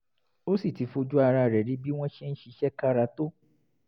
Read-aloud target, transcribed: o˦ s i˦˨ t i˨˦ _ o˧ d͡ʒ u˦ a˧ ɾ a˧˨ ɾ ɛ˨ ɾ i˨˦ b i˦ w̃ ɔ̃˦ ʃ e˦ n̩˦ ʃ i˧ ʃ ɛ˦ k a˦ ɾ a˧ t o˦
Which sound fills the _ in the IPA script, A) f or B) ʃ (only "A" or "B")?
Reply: A